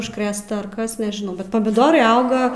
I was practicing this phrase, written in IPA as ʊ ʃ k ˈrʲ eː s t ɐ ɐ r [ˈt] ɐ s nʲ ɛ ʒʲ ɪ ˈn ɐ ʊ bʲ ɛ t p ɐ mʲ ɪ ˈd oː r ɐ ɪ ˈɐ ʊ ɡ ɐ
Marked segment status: incorrect: k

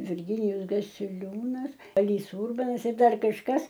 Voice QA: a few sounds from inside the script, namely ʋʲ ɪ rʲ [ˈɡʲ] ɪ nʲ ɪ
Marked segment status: correct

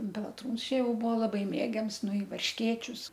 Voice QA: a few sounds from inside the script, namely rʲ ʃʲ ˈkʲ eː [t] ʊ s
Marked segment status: incorrect: t͡ʃʲ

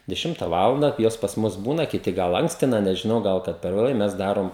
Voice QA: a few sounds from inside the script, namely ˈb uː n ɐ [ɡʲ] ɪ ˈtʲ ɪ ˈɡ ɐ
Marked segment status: incorrect: kʲ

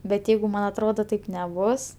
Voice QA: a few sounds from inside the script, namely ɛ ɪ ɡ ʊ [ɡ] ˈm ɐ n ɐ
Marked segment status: incorrect: none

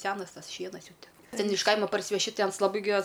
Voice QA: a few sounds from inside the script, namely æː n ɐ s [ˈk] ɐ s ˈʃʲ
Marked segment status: incorrect: t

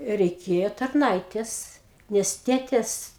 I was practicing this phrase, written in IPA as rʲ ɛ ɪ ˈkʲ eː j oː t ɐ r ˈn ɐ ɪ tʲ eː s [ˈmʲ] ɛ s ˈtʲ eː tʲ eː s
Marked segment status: incorrect: nʲ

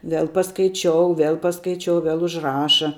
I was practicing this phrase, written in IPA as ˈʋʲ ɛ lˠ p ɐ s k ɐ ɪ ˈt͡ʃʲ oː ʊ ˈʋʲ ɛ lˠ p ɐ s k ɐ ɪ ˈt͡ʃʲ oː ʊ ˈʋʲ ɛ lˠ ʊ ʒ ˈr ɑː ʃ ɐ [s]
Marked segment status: incorrect: none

